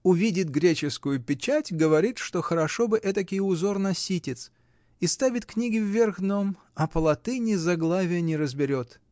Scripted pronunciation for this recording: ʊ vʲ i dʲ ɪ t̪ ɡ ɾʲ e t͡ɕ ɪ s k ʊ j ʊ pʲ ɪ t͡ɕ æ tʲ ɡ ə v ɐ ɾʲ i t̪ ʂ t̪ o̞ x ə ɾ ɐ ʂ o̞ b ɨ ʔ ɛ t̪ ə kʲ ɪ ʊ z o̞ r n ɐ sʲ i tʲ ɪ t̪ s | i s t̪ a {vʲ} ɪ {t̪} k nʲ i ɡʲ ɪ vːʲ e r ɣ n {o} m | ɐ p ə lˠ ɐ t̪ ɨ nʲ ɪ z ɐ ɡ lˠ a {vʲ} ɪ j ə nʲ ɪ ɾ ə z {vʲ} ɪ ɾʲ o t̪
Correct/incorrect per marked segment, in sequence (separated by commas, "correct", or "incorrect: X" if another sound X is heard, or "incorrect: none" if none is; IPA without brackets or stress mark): correct, correct, correct, correct, incorrect: bʲ